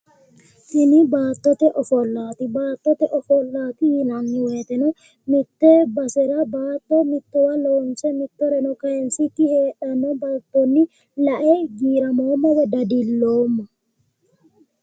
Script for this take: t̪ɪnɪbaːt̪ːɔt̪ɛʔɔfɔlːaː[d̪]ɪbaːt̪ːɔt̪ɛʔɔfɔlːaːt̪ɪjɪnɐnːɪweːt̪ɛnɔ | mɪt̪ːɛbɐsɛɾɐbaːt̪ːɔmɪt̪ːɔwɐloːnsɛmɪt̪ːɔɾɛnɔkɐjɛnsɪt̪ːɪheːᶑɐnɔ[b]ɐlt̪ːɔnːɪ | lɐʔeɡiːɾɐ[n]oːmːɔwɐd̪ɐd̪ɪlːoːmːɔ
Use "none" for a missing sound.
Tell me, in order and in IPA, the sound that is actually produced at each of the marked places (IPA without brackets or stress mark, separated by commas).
t̪, b, m